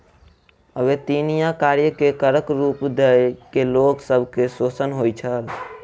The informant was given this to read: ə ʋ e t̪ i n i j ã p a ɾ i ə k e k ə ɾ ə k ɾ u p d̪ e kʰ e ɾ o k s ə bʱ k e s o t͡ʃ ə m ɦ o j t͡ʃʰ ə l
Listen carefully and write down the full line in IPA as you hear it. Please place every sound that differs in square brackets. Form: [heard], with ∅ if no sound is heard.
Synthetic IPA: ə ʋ e t̪ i n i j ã [k] a ɾ [j] ə k e k ə ɾ ə k ɾ u p d̪ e [k] e [l] o k s ə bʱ k e s o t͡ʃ ə [n] ɦ o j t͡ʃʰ ə l